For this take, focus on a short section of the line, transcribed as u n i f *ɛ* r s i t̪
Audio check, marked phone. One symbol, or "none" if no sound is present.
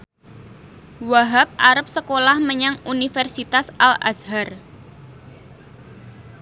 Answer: ɛ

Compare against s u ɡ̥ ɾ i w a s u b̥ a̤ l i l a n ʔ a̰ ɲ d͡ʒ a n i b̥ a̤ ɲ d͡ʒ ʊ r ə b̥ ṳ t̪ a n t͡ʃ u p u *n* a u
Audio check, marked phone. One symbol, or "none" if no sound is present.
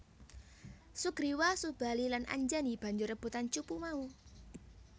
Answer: m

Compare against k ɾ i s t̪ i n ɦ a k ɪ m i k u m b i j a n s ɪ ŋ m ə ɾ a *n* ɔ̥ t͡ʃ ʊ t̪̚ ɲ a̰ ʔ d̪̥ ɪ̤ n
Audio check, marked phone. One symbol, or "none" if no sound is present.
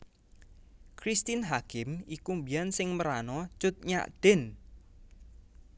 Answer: n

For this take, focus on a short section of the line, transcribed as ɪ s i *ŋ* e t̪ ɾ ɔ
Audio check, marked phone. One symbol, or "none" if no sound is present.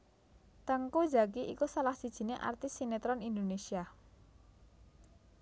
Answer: n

